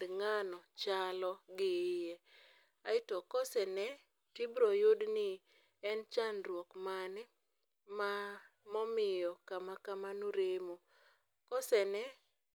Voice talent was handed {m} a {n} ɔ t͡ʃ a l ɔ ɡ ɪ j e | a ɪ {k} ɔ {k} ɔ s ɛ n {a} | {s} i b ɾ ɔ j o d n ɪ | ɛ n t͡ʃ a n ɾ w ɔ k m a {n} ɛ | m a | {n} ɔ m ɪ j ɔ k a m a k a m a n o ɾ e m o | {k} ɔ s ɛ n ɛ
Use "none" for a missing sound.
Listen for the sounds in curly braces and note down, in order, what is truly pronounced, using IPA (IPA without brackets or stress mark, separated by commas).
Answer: ŋ, n, t, k, ɛ, t, n, m, k